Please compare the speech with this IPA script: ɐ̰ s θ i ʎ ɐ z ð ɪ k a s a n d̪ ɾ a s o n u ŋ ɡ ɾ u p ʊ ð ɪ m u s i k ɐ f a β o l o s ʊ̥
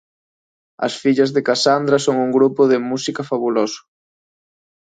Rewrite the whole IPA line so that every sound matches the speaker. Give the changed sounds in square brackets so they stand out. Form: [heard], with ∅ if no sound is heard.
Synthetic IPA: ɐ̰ s [f] i ʎ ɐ z ð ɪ k a s a n d̪ ɾ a s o [ŋ] u ŋ ɡ ɾ u p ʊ ð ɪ m u s i k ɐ f a β [u] l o s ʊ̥